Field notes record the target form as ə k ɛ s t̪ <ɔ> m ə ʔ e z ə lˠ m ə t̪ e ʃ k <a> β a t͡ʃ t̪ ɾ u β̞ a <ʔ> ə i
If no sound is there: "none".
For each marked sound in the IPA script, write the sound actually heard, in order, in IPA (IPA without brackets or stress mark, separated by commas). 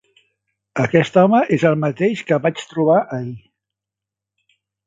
ɔ, ə, ʔ